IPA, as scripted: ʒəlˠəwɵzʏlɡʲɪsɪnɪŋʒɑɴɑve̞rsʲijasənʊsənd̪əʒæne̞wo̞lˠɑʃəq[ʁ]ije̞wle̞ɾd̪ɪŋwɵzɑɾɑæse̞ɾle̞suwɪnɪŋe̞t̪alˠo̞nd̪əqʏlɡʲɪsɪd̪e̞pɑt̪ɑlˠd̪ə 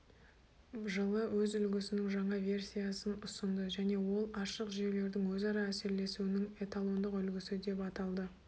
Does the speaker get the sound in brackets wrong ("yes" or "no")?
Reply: yes